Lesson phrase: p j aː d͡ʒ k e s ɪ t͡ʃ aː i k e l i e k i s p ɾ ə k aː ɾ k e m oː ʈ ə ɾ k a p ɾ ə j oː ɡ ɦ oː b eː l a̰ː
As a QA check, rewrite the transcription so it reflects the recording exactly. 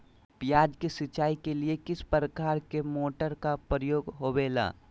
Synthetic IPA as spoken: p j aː d͡ʒ k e s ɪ t͡ʃ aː i k e l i e k ɪ s p ɾ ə k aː ɾ k e m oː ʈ ə ɾ k a p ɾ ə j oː ɡ ɦ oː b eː l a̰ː